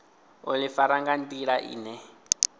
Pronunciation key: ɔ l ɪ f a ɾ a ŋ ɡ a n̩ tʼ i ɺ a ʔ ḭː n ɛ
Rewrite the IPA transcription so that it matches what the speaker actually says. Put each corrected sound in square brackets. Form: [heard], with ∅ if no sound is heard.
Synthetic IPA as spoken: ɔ l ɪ f a ɾ a ŋ ɡ a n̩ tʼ i ɺ a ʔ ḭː n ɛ